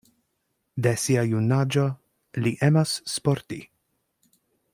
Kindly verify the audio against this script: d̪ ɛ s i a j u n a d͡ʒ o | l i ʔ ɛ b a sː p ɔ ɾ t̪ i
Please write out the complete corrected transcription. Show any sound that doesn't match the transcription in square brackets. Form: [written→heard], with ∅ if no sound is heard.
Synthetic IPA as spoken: d̪ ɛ s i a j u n a d͡ʒ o | l i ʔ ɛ [b→m] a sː p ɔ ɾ t̪ i